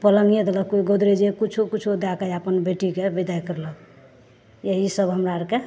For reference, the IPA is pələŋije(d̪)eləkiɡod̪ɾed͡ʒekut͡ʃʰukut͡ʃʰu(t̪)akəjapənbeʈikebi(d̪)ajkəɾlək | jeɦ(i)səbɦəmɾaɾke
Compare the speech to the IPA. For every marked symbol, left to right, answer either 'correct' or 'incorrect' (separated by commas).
correct, incorrect, correct, correct